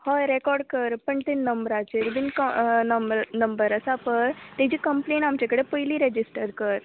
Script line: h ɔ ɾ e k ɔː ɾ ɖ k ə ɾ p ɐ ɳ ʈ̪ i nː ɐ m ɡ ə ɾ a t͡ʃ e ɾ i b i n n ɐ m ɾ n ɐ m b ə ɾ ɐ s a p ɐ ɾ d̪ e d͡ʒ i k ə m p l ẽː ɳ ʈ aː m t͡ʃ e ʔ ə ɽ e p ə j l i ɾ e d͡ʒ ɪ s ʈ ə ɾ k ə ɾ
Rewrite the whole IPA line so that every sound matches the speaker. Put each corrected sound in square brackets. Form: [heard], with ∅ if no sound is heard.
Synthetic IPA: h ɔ ɾ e k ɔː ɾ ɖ k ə ɾ p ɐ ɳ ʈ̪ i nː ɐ m [b] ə ɾ a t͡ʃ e ɾ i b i n n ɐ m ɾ n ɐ m b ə ɾ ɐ s a p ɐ ɾ [t̪] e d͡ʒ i k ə m p l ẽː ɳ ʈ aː m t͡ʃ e [k] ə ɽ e p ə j l i ɾ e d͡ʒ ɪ s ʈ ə ɾ k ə ɾ